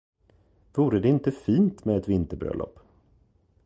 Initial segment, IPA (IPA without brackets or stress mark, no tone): v